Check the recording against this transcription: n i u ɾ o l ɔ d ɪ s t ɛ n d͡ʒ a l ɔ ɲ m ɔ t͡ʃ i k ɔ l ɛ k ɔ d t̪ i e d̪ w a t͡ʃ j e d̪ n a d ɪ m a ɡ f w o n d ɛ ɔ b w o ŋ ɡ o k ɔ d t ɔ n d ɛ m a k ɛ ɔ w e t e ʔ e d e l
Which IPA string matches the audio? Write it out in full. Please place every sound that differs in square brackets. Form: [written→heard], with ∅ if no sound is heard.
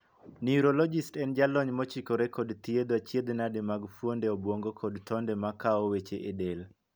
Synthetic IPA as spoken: n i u ɾ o l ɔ [d→d͡ʒ] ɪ s t ɛ n d͡ʒ a l ɔ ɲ m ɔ t͡ʃ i k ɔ [l→ɾ] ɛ k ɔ d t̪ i e d̪ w a t͡ʃ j e d̪ n a d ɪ m a ɡ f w o n d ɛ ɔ b w o ŋ ɡ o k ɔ d t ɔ n d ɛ m a k [ɛ→a] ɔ w e [t→t͡ʃ] e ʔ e d e l